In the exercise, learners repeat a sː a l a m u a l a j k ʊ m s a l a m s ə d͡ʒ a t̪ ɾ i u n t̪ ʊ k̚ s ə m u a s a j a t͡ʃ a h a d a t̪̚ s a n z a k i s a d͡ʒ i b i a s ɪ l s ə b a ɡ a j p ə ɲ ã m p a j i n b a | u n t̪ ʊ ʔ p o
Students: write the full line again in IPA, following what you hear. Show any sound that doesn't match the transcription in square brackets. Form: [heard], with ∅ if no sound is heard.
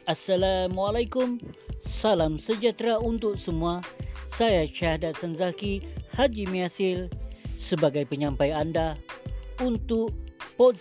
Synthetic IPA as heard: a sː a l a m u a l a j k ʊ m s a l a m s ə d͡ʒ a t̪ ɾ [a] u n t̪ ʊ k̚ s ə m u a s a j a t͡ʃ a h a d a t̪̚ s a n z a k i [h] a d͡ʒ i [m] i a s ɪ l s ə b a ɡ a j p ə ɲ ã m p a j [a] n [d] a | u n t̪ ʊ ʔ p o